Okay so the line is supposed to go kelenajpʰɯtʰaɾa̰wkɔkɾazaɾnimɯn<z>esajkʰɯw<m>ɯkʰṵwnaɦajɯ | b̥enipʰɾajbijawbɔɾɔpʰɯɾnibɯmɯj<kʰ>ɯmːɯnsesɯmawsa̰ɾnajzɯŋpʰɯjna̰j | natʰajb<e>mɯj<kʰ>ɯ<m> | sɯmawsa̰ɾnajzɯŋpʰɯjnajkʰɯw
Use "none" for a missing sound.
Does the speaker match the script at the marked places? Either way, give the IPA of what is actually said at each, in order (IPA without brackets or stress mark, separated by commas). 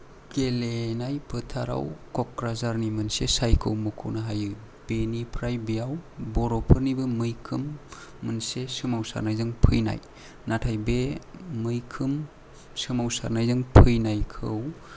s, m, kʰ, e, kʰ, m